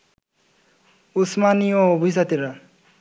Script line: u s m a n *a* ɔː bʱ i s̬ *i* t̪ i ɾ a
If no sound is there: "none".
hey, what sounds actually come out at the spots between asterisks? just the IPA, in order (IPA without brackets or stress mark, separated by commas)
i, a